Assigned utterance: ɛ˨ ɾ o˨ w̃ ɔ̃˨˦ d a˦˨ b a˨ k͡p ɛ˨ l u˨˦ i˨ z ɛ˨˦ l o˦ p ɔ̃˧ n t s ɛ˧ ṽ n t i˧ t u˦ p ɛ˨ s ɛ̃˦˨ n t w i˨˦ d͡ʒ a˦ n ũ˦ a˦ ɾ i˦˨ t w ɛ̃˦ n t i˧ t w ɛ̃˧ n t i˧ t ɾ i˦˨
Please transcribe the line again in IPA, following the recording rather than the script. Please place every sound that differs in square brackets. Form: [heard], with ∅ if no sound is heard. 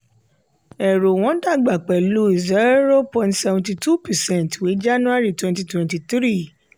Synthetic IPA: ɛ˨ ɾ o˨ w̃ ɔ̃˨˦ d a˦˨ [ɡ͡b] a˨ k͡p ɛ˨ l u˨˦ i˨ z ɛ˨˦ [ɾ] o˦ p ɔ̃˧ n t s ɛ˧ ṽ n t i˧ t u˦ p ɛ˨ s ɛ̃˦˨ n t w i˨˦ d͡ʒ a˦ n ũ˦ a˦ ɾ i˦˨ t w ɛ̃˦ n t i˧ t w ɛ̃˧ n t i˧ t ɾ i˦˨